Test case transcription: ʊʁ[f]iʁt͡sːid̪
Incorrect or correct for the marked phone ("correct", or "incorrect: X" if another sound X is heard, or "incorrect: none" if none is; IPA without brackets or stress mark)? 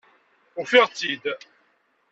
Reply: correct